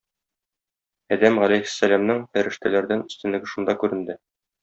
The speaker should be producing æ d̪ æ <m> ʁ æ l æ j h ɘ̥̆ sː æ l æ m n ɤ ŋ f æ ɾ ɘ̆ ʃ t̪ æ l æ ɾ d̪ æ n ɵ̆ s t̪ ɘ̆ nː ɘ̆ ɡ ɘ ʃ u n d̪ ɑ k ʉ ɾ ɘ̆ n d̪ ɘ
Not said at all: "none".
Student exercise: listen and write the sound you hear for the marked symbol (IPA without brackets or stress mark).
m